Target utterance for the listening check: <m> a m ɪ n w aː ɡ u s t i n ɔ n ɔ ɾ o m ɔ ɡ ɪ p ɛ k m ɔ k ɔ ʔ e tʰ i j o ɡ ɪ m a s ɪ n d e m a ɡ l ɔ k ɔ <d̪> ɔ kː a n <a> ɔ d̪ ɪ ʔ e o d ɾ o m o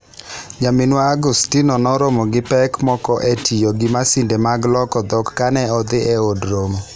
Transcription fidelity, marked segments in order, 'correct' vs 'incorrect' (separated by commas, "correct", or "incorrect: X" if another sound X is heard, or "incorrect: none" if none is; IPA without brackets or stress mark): incorrect: ɲ, correct, incorrect: ɛ